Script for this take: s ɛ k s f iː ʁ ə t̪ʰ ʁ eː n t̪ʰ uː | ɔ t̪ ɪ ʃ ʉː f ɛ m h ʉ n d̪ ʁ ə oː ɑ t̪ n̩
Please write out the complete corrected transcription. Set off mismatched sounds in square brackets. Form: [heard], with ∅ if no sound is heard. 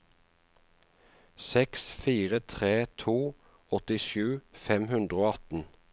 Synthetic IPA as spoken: s ɛ k s f iː ʁ ə t̪ʰ ʁ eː [∅] t̪ʰ uː | ɔ t̪ ɪ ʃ ʉː f ɛ m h ʉ n d̪ ʁ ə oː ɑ t̪ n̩